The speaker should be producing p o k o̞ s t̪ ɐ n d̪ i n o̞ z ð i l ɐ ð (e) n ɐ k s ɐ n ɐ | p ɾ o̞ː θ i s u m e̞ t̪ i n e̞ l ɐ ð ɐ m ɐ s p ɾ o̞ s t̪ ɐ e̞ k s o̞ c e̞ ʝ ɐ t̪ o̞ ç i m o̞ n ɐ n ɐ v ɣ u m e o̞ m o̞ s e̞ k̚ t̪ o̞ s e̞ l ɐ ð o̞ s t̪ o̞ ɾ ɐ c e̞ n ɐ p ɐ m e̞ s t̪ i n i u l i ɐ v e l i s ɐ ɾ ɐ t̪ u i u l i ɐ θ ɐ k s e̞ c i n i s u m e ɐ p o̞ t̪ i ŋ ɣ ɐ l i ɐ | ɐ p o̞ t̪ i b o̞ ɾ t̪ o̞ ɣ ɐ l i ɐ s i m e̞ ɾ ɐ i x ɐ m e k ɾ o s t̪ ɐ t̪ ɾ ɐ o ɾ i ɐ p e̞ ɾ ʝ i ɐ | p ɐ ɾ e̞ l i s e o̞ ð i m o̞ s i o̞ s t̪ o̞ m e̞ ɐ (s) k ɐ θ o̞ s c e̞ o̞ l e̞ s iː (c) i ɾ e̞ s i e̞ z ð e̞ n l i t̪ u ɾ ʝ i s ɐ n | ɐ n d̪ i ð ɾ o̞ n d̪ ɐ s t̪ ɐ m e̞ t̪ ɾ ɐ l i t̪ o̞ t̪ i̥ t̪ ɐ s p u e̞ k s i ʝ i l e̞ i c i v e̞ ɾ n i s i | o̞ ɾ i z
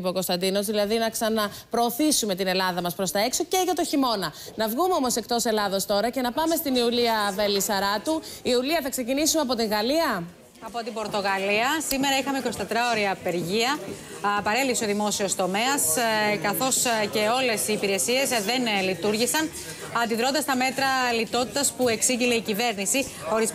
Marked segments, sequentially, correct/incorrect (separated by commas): incorrect, correct, incorrect